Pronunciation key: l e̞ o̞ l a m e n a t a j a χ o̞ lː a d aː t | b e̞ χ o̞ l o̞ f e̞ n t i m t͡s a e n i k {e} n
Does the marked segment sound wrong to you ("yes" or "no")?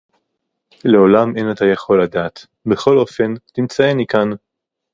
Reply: yes